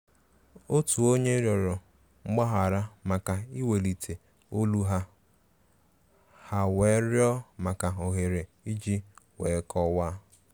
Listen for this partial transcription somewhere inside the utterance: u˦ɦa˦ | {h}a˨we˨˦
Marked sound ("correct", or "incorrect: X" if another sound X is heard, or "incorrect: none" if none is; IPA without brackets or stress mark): correct